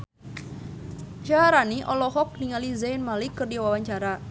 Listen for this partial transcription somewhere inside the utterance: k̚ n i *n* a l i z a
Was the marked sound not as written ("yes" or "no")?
yes